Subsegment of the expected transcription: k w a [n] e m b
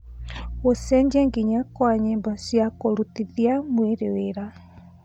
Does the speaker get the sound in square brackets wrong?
yes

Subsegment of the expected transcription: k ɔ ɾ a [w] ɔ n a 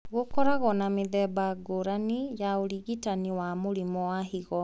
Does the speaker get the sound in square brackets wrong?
yes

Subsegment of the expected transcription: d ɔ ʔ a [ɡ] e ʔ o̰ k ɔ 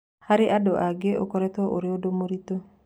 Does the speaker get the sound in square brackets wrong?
no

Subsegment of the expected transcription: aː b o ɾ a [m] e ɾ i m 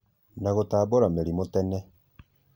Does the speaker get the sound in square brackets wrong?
no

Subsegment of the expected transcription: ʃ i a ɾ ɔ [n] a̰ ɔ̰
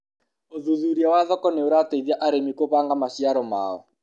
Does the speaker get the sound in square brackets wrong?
yes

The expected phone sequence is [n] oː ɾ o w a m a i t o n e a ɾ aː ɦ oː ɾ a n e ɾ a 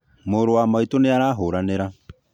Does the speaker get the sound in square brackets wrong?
yes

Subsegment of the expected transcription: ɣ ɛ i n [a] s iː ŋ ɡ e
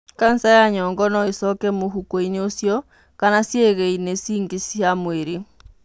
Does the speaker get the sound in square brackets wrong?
yes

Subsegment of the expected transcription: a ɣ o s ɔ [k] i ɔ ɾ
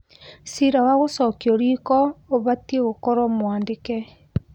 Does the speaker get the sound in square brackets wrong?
no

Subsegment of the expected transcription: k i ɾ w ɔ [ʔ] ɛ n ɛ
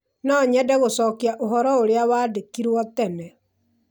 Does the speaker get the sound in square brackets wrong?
yes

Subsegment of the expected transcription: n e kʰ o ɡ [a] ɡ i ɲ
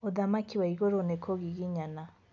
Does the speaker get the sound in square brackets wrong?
yes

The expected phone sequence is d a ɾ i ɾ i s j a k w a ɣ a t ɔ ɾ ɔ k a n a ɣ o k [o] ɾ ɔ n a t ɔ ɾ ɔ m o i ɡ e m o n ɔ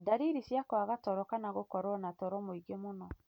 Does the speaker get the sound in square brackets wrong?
yes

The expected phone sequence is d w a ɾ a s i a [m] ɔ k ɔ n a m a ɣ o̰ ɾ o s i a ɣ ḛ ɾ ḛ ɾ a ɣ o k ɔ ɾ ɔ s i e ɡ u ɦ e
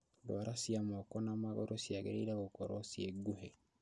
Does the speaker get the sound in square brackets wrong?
no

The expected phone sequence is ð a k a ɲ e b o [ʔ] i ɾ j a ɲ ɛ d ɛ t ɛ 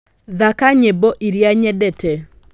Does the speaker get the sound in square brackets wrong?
no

